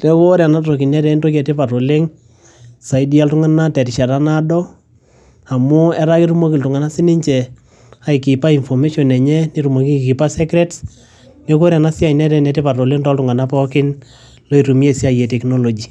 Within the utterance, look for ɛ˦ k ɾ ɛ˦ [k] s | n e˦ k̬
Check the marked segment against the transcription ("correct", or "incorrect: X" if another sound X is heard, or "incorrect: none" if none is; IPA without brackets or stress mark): incorrect: t